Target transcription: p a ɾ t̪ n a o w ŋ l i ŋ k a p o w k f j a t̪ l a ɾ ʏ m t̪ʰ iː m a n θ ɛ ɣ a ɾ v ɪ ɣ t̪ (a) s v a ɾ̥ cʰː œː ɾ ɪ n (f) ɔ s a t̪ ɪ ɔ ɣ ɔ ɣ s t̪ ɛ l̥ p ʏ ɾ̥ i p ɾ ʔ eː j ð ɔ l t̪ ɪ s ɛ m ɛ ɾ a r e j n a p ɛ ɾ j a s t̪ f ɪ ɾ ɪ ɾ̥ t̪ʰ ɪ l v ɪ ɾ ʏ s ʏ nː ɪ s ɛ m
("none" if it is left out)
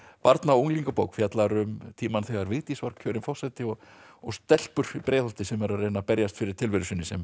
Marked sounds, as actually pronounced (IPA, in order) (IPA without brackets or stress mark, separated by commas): i, f